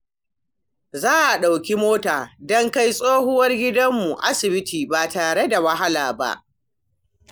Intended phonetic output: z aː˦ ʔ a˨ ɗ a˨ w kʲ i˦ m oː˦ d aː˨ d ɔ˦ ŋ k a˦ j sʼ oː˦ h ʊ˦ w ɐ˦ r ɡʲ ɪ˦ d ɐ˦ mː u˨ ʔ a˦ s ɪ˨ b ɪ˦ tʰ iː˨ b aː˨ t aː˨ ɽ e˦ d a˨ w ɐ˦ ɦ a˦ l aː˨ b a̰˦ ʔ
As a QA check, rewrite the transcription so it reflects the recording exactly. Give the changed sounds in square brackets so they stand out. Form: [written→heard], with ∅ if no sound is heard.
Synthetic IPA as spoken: z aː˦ ʔ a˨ ɗ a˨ w kʲ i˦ m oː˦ [d→t] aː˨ d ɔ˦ ŋ k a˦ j sʼ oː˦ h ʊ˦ w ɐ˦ r ɡʲ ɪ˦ d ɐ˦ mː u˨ ʔ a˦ s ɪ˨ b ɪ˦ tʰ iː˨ b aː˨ t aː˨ ɽ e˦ d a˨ w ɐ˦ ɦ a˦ l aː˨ b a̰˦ ʔ